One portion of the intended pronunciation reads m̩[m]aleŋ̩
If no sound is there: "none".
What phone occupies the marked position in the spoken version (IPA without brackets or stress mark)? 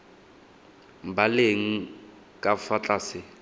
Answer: b